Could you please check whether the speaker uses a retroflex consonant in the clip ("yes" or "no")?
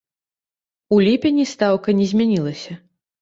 no